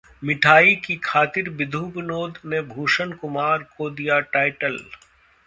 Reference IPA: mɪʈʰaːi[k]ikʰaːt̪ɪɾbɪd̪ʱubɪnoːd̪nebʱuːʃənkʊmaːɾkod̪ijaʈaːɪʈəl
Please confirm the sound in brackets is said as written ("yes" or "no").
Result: yes